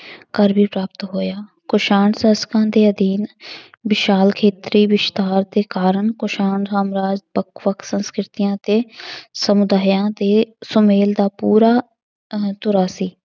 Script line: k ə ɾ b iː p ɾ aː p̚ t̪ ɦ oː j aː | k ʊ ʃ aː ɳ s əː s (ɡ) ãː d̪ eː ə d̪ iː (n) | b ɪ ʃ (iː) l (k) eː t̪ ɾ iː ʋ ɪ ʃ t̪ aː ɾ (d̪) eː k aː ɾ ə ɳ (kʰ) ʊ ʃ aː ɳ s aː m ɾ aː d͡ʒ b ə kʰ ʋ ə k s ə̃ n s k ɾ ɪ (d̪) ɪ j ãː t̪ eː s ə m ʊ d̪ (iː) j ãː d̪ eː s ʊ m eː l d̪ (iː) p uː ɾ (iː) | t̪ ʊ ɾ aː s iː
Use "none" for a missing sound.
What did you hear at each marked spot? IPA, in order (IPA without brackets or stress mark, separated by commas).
k, n, aː, kʰ, d̪, k, t̪, aː, aː, aː